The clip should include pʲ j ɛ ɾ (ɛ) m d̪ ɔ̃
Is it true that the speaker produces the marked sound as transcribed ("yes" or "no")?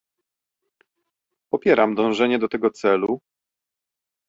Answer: no